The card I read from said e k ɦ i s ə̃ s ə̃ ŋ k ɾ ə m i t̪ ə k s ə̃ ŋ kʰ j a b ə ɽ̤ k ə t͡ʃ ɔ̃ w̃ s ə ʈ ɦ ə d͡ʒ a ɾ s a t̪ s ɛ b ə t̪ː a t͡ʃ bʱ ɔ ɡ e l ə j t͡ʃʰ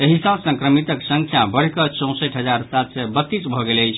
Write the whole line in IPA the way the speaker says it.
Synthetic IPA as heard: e ɦ i s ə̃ s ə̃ ŋ k ɾ ə m i t̪ ə k s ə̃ ŋ kʰ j a b ə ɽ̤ k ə t͡ʃ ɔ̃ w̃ s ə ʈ ɦ ə d͡ʒ a ɾ s a t̪ s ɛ b ə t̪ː i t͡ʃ bʱ ɔ ɡ e l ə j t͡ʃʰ